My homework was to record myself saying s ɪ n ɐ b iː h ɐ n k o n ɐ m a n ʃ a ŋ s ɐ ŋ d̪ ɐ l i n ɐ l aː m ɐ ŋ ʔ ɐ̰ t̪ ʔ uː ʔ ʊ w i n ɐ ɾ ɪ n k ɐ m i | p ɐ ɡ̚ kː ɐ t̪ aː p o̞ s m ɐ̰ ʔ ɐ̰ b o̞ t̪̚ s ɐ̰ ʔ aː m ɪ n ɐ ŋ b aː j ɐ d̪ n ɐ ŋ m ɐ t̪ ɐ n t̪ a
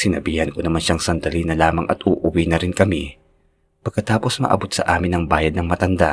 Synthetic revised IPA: s ɪ n ɐ b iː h ɐ n k o n ɐ m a n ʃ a ŋ s ɐ n d̪ ɐ l i n ɐ l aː m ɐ ŋ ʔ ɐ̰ t̪ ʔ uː ʔ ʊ w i n ɐ ɾ ɪ n k ɐ m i | p ɐ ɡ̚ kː ɐ t̪ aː p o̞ s m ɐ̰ ʔ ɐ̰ b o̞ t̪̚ s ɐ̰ ʔ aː m ɪ n ɐ ŋ b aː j ɐ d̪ n ɐ ŋ m ɐ t̪ ɐ n d̪ a